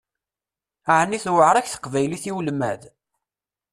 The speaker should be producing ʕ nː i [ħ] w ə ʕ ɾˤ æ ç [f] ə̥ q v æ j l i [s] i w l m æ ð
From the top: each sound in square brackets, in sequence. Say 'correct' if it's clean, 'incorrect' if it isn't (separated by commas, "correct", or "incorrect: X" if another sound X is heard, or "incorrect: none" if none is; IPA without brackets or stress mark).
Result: incorrect: θ, incorrect: θ, incorrect: θ